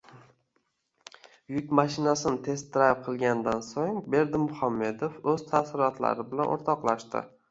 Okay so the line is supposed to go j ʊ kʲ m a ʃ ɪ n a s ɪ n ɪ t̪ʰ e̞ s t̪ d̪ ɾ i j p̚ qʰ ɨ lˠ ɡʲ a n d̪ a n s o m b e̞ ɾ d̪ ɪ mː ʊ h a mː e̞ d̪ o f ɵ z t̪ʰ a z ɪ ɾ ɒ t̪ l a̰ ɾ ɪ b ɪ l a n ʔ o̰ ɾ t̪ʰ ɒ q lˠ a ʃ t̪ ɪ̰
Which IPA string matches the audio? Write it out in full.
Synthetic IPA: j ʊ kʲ m a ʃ ɪ n a s ɪ n ɪ t̪ʰ e̞ s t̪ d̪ ɾ a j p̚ qʰ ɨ lˠ ɡʲ a n d̪ a n s o ŋ b e̞ ɾ d̪ ɪ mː ʊ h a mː e̞ d̪ o f ɵ z t̪ʰ a s ɪ ɾ ɒ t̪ l a̰ ɾ ɪ b ɪ l a n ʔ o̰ ɾ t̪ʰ ɒ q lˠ a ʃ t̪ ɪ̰